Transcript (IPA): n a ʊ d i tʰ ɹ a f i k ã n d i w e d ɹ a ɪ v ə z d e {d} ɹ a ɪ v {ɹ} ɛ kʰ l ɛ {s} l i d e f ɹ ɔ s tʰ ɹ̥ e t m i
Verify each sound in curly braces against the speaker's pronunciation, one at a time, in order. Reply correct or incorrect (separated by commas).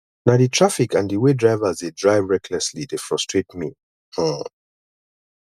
correct, correct, correct